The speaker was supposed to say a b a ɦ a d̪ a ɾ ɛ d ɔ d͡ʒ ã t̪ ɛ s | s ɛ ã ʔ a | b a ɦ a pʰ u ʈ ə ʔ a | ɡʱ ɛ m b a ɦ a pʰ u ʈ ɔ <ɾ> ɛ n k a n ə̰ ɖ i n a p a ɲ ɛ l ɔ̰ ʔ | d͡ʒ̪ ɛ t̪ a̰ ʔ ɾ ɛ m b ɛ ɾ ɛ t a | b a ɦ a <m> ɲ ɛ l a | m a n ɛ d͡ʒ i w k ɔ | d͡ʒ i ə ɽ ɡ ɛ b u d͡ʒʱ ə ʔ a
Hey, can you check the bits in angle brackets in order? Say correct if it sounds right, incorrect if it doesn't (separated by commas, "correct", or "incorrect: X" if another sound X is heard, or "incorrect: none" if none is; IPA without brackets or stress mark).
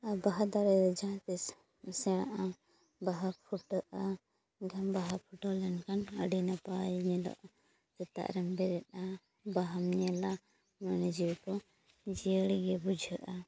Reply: incorrect: l, correct